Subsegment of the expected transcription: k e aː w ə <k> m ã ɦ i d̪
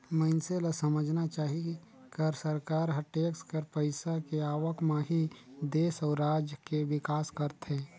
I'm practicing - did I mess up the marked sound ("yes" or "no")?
no